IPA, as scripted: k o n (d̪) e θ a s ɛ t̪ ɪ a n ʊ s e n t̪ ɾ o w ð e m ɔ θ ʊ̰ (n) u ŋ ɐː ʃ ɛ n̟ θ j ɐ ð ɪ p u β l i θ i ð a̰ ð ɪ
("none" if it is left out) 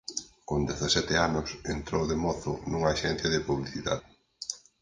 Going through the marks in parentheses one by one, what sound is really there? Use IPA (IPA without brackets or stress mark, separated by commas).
d̪, n